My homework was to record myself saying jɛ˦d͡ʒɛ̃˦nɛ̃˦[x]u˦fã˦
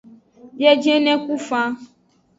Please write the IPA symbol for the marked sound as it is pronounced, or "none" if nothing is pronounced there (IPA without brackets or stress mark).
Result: k